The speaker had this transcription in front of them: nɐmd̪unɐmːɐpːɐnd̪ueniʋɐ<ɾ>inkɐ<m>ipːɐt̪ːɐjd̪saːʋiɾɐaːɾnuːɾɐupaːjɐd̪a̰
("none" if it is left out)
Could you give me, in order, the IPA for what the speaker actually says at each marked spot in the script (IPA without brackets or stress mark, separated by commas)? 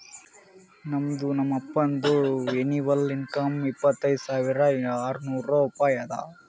l, m